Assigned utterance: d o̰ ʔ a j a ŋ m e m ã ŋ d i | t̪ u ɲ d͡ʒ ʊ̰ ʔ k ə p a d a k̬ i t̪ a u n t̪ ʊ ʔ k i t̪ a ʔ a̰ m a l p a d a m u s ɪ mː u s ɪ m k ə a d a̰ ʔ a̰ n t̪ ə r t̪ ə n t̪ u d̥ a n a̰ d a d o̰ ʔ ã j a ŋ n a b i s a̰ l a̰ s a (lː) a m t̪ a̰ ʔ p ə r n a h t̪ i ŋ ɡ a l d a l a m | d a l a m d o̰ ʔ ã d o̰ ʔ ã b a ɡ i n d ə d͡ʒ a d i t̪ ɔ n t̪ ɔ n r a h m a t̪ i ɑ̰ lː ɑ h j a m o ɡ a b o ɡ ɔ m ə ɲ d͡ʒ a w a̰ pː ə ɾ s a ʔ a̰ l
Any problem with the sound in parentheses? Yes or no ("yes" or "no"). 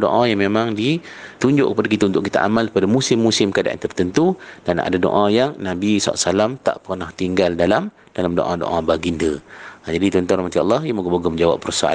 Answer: yes